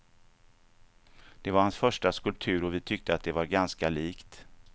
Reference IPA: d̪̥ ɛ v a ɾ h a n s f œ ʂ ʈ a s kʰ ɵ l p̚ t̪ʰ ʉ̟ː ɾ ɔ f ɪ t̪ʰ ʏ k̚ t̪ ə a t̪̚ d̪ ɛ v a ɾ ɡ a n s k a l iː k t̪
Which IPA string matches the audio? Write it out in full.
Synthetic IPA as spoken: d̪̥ ɛ v a ɾ h a n s f œ ʂ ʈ a s k ɵ l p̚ t̪ʰ ʉ̟ː ɾ ɔ v ɪ t̪ʰ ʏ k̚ t̪ ə a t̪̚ d̪ ɛ v a ɾ ɡ a n s k a l iː k t̪